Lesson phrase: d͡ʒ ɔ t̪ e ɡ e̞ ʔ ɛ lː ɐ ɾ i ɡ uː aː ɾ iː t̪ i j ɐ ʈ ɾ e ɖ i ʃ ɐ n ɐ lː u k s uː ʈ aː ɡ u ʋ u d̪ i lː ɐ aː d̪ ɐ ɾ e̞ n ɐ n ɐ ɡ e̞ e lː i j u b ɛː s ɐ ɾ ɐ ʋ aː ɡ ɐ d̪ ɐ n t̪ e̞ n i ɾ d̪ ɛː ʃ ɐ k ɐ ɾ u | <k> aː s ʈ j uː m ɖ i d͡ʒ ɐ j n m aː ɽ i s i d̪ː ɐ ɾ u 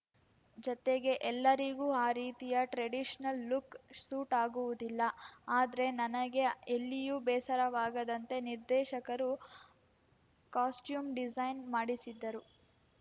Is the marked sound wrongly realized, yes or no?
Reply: no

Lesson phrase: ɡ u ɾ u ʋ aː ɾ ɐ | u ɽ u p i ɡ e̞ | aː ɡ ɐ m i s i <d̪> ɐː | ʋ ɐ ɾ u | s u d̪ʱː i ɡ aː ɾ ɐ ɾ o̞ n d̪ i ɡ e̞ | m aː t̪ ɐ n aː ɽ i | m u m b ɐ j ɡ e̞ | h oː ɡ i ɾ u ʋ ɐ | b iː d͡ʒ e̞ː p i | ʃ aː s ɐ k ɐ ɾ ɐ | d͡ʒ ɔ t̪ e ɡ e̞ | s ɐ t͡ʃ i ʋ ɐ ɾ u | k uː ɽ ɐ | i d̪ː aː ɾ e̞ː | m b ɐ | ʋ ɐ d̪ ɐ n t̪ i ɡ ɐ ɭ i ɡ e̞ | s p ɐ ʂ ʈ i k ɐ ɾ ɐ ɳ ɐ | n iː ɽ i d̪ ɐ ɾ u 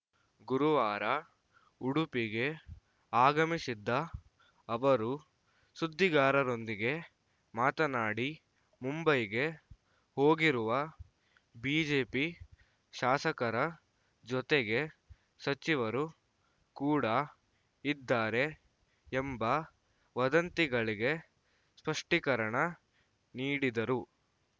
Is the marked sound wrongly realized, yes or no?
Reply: yes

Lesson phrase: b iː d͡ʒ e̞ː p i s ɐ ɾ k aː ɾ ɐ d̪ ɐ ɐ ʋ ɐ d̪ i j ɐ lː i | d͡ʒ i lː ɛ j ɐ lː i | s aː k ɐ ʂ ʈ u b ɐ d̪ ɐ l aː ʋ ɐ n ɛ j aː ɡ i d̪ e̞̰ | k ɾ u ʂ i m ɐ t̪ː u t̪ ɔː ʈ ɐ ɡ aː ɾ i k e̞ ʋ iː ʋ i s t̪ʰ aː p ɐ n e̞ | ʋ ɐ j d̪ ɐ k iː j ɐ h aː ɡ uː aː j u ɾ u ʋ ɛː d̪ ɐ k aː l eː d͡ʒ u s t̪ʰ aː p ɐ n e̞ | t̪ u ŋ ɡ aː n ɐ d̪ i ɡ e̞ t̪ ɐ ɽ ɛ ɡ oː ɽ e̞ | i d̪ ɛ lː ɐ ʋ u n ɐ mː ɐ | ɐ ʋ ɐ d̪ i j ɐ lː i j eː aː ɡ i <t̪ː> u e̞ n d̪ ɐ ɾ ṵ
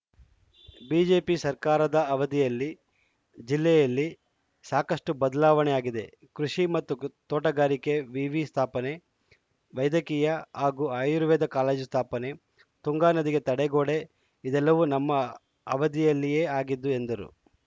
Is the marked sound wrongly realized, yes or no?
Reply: yes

